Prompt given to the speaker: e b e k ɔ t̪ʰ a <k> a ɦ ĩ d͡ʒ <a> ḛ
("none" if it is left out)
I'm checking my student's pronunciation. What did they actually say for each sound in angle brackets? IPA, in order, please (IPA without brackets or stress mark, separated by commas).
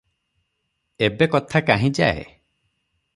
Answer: k, a